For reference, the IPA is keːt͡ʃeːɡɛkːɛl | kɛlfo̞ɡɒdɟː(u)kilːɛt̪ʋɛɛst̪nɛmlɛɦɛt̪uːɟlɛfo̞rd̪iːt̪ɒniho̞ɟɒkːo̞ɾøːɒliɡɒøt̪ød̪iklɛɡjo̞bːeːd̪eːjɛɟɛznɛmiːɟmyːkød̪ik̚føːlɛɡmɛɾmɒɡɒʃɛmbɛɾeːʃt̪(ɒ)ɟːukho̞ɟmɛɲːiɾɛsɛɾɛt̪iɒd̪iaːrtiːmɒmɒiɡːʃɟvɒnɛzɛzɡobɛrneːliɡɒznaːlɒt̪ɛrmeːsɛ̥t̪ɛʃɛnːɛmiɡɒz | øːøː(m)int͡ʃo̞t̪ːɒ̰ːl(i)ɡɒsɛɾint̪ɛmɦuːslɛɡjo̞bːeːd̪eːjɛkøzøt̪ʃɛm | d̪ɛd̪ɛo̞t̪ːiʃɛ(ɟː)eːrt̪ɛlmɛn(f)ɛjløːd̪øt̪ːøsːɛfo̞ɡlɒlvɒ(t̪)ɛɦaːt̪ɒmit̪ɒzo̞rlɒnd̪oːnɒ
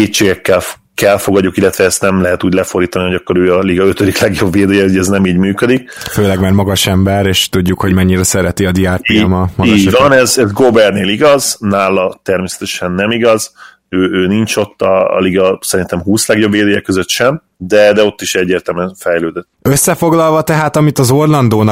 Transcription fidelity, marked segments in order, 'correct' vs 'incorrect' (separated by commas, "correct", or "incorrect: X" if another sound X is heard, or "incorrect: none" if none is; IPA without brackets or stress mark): correct, incorrect: u, incorrect: n, correct, correct, correct, correct